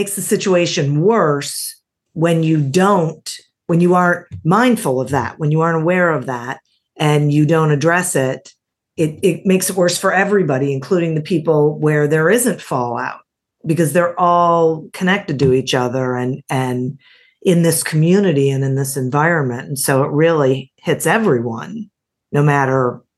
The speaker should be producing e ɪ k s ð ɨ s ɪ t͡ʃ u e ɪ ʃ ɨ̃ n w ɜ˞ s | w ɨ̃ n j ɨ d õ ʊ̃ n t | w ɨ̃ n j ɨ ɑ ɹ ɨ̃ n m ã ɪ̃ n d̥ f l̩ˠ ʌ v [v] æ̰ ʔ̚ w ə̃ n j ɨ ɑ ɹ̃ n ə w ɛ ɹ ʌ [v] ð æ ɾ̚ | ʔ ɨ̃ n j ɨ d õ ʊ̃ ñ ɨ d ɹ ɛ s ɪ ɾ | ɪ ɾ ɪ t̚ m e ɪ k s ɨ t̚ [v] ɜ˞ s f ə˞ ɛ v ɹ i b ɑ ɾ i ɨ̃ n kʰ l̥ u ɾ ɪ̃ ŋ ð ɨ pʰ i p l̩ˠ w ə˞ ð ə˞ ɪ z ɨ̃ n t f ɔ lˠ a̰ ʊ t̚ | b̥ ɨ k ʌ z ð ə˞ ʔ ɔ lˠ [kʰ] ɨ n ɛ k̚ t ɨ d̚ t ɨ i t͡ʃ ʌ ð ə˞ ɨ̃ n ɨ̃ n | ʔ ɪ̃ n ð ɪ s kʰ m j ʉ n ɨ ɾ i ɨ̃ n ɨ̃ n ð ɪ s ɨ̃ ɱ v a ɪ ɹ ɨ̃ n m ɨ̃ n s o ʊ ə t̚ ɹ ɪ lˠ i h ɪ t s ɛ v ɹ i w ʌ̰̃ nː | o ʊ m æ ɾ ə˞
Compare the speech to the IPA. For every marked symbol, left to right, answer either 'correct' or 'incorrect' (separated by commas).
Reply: incorrect, correct, incorrect, correct